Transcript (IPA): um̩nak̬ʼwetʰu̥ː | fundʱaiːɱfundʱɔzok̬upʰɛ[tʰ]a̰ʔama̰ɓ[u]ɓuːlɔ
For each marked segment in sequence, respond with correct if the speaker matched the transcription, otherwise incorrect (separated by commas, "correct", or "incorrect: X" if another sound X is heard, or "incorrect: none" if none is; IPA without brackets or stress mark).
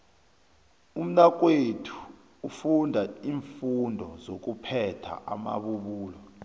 correct, correct